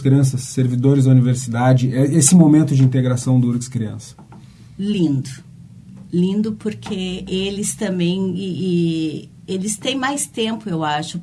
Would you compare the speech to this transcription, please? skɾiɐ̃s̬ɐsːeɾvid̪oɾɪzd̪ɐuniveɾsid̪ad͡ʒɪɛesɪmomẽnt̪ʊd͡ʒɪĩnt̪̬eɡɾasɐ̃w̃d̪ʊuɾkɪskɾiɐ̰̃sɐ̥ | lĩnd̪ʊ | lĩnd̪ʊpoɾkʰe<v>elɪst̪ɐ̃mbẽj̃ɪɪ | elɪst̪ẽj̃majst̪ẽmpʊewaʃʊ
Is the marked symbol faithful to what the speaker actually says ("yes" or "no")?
no